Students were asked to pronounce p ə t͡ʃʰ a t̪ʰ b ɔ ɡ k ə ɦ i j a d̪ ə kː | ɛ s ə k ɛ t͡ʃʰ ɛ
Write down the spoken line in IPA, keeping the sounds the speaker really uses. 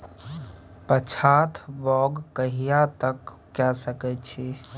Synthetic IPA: p ə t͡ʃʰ a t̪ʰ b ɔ ɡ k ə ɦ i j a t̪ ə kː | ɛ s ə k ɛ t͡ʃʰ i